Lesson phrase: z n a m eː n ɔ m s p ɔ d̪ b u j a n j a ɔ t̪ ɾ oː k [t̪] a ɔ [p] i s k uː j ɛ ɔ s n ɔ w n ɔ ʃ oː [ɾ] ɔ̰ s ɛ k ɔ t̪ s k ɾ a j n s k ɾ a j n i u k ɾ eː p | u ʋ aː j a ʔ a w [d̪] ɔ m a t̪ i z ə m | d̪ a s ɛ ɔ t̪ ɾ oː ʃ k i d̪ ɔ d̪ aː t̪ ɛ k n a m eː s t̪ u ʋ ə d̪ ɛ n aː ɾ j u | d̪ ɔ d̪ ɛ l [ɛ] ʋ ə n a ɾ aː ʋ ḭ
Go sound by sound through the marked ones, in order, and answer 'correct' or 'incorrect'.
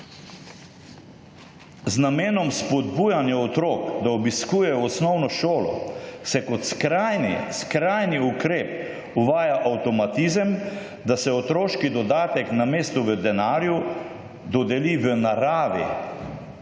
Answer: incorrect, incorrect, incorrect, incorrect, incorrect

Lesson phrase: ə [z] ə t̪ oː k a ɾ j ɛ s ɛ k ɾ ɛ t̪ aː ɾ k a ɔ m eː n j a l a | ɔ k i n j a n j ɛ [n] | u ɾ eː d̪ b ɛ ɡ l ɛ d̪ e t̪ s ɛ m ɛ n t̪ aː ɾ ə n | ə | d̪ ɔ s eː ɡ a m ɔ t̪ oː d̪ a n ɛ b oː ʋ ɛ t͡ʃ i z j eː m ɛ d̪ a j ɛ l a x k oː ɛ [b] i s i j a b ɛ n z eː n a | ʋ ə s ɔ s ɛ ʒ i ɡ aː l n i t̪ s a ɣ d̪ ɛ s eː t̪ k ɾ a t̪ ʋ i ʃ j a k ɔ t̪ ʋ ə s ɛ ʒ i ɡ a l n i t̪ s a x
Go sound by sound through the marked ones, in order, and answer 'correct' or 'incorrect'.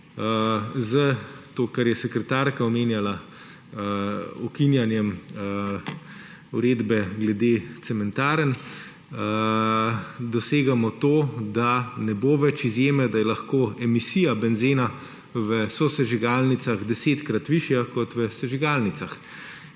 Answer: correct, incorrect, incorrect

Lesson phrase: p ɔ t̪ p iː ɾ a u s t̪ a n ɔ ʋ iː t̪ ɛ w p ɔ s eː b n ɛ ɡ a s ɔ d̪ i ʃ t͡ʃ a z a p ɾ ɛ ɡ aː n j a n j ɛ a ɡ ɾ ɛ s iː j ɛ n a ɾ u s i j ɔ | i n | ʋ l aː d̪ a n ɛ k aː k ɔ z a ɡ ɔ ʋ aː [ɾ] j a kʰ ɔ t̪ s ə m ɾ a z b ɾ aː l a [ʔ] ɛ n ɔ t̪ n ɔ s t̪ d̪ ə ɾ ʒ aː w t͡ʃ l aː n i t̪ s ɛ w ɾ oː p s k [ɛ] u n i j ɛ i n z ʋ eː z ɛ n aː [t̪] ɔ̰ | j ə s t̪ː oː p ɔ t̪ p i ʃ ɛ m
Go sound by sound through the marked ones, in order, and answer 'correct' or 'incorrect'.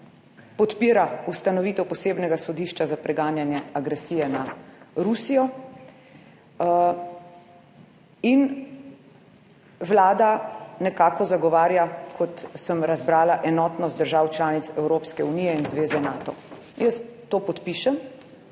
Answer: correct, correct, correct, correct

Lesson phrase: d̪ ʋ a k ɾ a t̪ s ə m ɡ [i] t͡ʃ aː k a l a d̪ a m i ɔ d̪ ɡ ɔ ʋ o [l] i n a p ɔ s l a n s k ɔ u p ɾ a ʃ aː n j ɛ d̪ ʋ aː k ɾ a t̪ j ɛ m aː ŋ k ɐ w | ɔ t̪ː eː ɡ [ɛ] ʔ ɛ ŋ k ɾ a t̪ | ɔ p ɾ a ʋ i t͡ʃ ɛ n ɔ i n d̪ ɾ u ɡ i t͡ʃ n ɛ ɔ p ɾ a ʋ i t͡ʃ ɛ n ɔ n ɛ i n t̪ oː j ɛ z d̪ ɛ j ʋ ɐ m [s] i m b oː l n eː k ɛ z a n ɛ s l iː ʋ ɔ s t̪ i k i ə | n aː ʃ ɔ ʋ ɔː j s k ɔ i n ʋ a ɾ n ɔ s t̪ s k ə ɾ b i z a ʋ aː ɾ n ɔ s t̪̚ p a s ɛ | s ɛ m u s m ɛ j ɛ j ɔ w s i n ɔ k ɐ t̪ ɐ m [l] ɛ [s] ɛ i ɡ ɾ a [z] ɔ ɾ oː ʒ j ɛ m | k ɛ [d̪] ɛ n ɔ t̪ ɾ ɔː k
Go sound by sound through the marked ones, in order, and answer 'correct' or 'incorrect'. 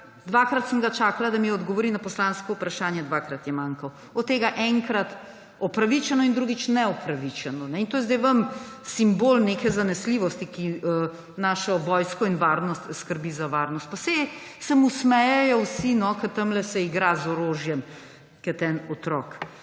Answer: incorrect, incorrect, incorrect, correct, correct, correct, correct, incorrect

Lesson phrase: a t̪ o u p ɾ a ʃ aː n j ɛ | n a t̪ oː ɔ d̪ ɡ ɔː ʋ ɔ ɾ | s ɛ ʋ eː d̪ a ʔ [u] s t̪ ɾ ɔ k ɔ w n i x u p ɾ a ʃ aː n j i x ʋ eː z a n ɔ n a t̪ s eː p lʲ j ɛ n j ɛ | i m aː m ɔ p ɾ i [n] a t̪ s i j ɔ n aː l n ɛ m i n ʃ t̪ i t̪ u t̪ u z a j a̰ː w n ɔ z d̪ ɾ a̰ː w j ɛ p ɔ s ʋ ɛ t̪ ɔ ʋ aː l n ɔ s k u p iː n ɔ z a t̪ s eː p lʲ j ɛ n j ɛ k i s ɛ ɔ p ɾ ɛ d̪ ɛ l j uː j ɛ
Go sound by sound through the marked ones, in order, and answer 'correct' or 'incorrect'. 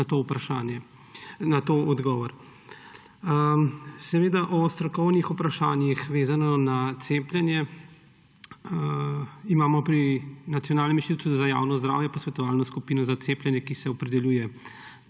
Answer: incorrect, correct

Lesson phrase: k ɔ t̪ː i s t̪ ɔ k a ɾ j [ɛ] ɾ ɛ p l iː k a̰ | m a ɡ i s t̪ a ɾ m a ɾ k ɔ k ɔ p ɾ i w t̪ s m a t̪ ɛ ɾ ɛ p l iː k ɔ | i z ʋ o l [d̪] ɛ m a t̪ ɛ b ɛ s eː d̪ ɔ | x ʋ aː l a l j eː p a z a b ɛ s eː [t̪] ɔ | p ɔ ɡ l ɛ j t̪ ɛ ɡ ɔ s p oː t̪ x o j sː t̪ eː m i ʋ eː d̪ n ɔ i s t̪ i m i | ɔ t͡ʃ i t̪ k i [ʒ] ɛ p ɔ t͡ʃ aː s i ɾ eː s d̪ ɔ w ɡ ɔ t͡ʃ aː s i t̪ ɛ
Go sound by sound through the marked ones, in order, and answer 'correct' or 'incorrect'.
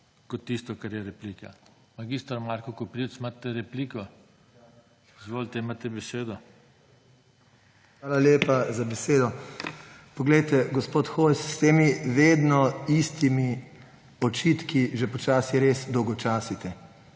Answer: correct, incorrect, incorrect, correct

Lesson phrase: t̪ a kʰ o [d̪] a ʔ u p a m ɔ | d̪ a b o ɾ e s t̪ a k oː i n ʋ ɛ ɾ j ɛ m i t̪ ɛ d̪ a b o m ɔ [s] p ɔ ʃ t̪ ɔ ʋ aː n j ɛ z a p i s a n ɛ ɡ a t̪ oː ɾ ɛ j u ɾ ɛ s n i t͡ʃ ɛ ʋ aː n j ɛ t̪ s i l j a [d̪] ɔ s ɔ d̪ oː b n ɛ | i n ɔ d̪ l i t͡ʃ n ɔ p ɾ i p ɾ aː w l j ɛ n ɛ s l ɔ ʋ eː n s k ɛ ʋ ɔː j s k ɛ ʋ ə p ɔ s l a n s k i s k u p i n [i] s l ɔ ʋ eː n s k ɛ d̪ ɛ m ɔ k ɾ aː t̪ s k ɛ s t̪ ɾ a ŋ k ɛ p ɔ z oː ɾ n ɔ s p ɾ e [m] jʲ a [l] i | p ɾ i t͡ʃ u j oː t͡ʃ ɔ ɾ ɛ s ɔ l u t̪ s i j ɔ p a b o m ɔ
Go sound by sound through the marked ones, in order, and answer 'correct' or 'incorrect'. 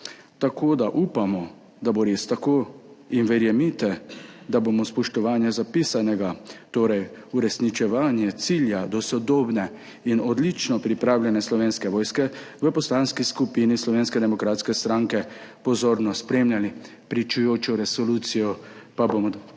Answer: correct, correct, correct, correct, correct, correct

